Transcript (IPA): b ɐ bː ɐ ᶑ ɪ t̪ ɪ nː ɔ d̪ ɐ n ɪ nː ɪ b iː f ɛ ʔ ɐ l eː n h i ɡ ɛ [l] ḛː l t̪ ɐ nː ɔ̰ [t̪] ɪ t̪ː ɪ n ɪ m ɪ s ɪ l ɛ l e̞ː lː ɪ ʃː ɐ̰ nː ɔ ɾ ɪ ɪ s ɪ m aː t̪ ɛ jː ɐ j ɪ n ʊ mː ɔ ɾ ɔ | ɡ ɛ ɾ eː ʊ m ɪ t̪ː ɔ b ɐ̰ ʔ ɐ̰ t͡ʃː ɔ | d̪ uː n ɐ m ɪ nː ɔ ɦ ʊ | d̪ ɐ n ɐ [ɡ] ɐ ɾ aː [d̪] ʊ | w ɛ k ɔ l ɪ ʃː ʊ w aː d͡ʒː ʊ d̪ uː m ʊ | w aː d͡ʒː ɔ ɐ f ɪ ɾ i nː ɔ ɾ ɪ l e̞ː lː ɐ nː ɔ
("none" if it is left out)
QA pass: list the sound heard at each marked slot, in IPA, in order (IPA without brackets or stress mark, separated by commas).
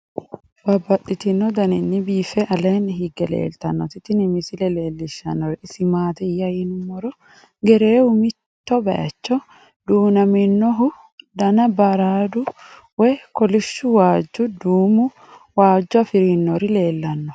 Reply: l, t̪, b, d̪